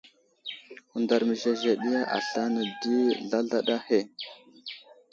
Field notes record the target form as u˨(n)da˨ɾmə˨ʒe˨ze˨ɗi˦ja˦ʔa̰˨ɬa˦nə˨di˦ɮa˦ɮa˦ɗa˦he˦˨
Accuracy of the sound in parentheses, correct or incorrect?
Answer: correct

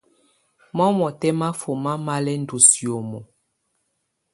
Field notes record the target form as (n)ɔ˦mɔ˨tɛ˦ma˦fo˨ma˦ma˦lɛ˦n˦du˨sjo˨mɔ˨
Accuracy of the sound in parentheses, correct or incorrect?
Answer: incorrect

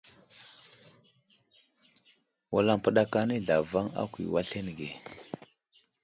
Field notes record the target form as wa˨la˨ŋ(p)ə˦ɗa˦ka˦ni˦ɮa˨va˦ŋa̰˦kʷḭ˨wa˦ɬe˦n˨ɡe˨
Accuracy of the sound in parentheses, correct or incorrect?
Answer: correct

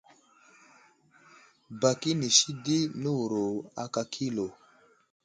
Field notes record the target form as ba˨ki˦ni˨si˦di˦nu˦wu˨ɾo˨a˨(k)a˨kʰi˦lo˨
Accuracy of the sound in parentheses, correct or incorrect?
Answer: correct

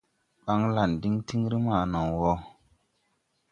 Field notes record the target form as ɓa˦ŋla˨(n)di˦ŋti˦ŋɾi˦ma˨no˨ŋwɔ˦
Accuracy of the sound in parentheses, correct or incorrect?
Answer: correct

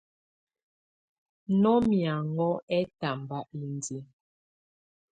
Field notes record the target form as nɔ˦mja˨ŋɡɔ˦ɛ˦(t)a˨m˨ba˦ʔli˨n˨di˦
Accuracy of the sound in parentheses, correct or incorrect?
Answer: correct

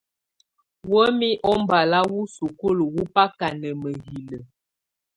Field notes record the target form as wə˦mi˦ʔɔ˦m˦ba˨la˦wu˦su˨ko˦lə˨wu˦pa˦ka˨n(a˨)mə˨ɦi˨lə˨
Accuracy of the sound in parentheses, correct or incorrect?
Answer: incorrect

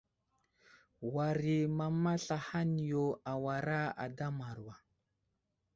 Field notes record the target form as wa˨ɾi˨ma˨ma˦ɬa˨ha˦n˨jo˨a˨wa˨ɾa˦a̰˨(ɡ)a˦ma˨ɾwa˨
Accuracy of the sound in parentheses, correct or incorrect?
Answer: incorrect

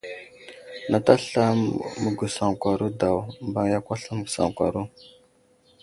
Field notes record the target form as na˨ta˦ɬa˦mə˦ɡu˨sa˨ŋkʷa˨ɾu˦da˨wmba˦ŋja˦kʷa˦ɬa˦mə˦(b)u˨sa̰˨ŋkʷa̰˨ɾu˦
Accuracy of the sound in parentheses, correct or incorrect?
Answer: incorrect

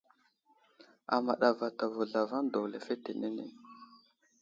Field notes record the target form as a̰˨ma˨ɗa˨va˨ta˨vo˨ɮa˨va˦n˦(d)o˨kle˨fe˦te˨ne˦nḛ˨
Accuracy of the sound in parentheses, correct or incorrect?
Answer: correct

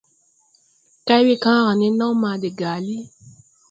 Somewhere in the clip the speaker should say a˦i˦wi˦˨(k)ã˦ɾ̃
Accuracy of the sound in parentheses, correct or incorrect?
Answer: correct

